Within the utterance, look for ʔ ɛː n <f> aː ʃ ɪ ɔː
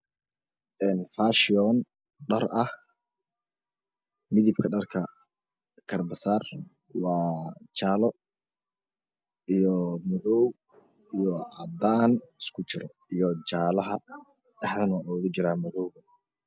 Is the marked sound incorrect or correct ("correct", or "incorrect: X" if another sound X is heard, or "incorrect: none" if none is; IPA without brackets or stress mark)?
correct